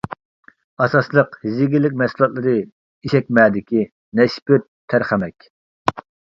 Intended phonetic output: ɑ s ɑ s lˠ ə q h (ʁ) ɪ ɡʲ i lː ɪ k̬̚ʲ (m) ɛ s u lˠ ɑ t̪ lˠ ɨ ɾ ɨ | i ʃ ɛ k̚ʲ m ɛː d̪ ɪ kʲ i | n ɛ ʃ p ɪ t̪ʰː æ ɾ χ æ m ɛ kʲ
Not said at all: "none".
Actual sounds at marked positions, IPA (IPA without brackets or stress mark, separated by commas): z, m